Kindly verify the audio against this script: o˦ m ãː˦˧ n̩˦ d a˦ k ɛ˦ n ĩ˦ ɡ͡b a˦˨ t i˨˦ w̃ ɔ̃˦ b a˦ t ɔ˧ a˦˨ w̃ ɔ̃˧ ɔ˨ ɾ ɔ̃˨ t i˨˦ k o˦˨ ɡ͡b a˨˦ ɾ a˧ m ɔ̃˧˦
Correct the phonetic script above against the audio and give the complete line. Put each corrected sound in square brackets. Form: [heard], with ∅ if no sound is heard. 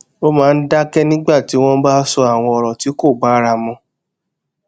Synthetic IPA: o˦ m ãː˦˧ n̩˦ d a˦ k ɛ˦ n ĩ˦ ɡ͡b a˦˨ t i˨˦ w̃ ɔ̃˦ b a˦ [s] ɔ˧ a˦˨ w̃ ɔ̃˧ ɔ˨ ɾ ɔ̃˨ t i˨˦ k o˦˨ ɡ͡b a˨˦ ɾ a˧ m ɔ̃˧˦